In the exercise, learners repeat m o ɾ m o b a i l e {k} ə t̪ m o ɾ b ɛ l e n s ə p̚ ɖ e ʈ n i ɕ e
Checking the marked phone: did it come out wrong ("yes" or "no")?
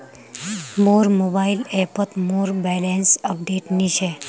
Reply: yes